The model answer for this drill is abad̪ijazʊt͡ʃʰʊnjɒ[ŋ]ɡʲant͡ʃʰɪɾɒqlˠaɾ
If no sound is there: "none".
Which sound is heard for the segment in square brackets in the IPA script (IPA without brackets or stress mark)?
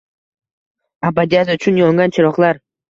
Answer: ŋ